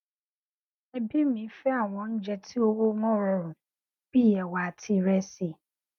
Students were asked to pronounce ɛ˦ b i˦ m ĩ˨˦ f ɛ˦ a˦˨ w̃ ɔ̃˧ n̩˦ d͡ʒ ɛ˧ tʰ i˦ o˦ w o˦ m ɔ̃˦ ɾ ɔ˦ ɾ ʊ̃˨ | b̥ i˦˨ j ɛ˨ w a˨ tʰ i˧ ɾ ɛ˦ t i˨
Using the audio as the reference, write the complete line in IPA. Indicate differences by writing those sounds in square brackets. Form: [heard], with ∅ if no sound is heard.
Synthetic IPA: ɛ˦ b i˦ m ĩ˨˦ f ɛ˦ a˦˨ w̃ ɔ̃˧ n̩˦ d͡ʒ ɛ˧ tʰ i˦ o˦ w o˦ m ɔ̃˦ ɾ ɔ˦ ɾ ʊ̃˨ | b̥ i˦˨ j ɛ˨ w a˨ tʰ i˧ ɾ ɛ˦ [s] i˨